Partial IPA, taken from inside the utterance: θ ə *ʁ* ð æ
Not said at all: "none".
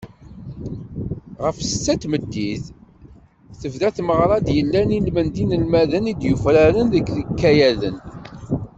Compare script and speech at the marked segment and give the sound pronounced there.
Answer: v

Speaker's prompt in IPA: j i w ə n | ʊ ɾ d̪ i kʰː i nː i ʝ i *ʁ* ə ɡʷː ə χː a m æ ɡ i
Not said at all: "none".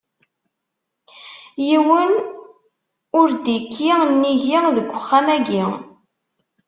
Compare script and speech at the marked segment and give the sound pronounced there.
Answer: ð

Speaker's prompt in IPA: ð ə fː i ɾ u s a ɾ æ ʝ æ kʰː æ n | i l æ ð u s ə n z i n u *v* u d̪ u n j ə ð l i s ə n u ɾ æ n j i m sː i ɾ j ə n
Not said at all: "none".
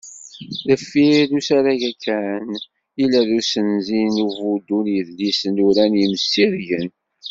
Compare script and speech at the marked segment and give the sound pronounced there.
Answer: v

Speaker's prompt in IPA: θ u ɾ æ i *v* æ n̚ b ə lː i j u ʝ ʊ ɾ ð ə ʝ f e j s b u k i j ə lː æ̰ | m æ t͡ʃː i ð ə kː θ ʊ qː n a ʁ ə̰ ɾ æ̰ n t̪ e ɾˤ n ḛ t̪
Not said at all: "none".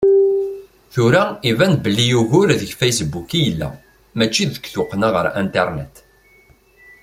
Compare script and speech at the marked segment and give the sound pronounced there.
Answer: v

